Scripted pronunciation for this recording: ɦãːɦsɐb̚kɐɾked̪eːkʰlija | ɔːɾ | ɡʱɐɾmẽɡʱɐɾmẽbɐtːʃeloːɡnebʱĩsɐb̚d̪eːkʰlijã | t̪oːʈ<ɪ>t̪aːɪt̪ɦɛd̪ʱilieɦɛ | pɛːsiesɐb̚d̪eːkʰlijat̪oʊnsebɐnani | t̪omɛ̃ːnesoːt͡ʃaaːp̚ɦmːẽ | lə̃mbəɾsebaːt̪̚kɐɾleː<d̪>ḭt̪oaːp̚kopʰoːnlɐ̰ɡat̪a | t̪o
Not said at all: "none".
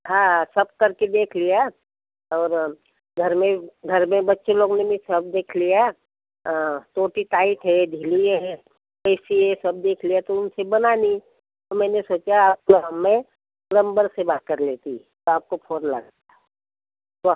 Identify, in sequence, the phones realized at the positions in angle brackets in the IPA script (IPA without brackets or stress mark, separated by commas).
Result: i, t̪